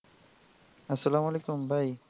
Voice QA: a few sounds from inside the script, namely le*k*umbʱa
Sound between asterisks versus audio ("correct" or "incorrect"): correct